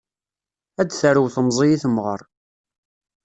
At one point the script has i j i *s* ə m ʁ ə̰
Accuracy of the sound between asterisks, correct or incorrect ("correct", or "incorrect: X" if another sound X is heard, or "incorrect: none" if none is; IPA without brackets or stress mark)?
incorrect: θ